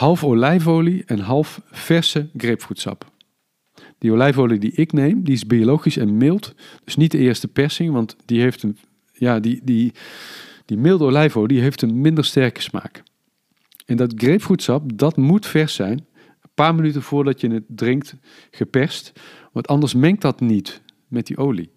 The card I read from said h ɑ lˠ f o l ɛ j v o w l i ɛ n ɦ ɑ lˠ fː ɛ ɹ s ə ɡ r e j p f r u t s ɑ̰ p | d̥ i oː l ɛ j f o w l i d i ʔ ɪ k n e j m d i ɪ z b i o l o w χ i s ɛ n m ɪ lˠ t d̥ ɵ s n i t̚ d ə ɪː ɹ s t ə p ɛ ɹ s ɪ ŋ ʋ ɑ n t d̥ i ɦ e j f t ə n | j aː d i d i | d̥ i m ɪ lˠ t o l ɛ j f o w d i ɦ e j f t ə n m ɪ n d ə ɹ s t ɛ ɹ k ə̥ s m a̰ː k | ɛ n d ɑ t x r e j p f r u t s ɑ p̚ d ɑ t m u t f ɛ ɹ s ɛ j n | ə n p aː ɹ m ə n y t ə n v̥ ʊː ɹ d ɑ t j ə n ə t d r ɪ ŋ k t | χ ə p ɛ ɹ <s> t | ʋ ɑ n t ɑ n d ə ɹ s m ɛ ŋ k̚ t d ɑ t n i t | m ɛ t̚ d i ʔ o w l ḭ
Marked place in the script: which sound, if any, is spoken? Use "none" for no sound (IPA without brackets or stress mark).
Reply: s